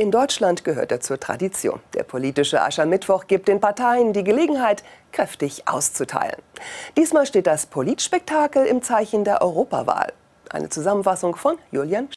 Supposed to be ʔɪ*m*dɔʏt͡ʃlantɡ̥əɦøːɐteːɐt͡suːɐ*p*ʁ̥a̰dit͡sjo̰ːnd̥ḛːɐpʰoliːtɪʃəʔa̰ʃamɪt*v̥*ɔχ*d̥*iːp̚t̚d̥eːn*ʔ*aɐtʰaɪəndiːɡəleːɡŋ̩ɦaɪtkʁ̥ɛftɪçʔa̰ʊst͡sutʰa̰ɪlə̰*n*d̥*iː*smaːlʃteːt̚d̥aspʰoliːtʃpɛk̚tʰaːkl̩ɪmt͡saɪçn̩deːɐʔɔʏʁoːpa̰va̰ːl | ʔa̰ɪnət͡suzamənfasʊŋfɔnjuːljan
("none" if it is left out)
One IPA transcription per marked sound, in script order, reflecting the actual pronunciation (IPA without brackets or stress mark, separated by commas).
n, t, v̥, ɡ̥, p, n, iː